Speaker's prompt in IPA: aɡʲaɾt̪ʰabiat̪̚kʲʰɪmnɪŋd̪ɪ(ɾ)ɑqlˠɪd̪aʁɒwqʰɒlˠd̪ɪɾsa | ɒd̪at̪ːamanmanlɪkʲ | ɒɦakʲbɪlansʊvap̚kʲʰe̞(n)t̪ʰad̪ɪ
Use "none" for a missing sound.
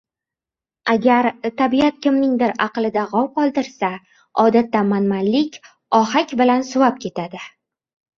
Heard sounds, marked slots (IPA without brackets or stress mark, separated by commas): ɾ, none